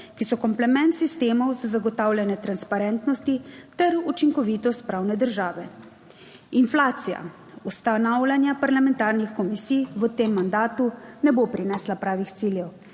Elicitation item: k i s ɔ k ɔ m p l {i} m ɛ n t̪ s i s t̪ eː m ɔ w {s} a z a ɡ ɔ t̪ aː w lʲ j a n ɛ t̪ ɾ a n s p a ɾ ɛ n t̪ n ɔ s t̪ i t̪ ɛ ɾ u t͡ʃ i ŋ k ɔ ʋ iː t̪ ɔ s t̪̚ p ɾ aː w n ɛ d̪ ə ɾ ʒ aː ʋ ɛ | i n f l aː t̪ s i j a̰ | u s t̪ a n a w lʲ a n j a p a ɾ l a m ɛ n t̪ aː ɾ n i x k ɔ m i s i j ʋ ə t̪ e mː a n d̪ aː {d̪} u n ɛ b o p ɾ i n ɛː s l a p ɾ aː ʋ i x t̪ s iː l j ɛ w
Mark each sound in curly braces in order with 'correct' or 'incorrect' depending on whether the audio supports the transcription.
incorrect: ɛ, incorrect: z, incorrect: t̪

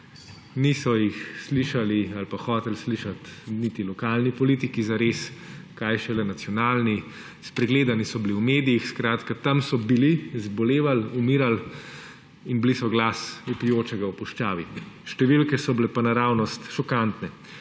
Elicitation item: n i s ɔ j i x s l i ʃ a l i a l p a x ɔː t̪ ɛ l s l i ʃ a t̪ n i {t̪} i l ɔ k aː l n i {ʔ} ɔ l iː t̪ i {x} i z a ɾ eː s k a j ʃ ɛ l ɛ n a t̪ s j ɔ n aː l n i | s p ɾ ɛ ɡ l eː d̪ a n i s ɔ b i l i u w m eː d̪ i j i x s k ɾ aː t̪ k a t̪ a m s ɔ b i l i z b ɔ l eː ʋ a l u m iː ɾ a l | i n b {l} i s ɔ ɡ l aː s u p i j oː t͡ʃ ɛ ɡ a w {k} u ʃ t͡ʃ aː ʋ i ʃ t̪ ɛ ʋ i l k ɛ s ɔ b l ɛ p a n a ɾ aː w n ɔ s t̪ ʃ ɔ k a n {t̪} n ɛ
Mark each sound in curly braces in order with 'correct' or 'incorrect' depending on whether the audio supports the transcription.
correct, incorrect: p, incorrect: k, correct, incorrect: p, correct

